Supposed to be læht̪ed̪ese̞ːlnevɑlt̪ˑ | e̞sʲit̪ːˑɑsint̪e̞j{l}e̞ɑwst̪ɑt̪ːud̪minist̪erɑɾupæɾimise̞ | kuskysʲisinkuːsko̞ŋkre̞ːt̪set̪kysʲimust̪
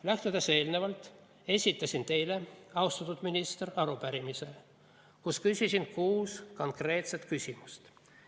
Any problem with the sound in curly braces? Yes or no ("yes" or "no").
no